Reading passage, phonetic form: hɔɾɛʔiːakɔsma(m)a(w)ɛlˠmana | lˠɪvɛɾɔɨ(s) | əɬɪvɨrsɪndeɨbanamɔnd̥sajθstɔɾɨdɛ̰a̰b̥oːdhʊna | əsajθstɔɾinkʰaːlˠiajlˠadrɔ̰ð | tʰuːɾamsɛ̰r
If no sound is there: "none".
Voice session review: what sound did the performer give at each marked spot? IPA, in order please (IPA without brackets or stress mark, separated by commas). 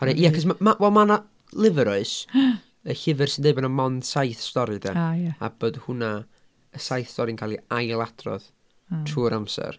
m, w, s